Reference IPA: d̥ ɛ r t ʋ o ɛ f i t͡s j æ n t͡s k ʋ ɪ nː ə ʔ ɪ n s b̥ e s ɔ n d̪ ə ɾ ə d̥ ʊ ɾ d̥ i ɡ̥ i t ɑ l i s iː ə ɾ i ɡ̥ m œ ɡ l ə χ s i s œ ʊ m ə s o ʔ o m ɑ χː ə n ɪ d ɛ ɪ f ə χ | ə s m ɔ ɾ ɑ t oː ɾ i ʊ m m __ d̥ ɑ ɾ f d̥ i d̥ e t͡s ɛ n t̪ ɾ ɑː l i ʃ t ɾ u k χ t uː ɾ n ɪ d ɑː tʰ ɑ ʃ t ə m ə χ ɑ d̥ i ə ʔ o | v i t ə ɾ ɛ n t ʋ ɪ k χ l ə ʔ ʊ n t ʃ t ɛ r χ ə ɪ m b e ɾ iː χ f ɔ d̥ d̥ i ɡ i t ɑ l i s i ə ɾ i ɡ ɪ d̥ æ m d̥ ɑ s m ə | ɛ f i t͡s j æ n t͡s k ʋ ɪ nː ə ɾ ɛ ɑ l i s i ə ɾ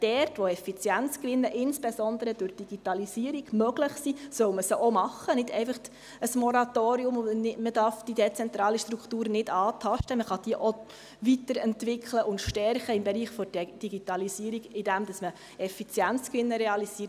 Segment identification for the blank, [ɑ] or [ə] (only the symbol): ə